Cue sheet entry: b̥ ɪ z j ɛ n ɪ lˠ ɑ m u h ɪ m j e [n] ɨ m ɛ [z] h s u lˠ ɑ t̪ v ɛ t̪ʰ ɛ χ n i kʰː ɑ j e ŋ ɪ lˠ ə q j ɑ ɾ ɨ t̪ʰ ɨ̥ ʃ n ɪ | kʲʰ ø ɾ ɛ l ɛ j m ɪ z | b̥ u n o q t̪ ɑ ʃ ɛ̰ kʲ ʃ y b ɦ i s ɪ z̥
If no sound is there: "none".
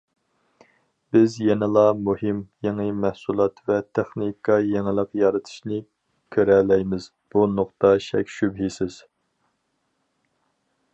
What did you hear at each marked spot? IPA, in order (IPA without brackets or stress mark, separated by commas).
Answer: ŋ, none